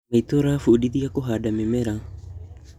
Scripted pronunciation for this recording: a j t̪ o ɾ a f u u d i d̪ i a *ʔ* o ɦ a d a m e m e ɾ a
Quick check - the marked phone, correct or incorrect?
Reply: incorrect